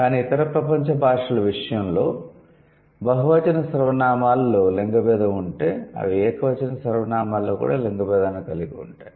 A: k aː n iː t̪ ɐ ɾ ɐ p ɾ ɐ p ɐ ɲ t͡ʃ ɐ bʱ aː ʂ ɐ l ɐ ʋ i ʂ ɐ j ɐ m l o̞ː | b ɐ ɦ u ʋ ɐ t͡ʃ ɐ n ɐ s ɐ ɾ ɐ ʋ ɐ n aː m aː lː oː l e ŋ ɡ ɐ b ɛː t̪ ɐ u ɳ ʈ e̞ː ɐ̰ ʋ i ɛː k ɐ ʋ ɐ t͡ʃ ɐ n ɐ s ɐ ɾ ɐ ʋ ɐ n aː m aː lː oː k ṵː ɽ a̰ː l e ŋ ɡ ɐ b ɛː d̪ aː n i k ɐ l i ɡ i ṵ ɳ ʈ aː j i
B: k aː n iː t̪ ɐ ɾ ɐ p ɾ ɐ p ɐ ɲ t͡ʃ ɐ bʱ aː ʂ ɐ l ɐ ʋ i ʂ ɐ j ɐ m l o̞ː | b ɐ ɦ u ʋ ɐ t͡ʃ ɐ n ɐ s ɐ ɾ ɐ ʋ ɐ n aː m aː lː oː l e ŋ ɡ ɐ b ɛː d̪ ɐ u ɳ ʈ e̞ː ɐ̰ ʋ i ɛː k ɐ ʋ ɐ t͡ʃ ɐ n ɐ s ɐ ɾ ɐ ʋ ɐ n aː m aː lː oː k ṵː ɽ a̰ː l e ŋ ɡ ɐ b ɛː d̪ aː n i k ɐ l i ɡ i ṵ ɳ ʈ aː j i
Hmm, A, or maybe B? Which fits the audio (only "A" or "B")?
B